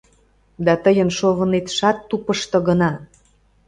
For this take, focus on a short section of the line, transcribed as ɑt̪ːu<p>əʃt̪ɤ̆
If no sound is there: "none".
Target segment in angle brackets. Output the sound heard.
p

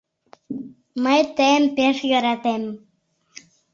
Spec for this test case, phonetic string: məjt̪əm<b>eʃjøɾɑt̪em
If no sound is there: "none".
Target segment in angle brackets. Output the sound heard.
p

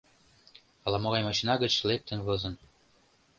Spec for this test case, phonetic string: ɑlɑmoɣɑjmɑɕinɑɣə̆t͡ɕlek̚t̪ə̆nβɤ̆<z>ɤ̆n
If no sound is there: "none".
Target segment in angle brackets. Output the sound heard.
z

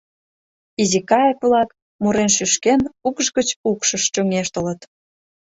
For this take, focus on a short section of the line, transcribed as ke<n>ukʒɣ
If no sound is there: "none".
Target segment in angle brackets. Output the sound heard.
n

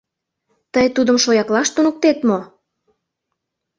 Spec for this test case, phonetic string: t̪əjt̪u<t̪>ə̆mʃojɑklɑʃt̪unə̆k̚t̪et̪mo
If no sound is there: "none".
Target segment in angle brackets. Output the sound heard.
d̪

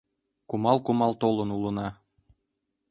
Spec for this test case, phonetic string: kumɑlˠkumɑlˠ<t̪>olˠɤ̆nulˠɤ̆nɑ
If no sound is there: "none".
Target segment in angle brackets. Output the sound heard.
t̪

